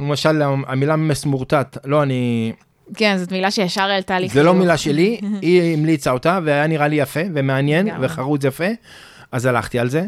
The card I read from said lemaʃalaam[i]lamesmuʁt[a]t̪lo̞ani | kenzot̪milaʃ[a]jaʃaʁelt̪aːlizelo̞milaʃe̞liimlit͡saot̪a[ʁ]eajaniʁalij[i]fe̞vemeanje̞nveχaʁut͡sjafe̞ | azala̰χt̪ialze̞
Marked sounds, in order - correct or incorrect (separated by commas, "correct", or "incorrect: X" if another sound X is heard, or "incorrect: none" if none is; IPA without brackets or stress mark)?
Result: correct, correct, incorrect: e, incorrect: v, incorrect: a